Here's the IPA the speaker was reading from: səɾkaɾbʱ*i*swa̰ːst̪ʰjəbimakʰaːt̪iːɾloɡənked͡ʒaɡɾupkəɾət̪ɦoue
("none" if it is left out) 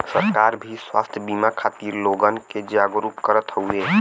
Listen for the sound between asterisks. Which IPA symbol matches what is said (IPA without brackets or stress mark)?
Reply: i